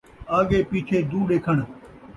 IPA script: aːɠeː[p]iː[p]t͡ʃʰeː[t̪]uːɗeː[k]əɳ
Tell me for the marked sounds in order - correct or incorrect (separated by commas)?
correct, incorrect, incorrect, incorrect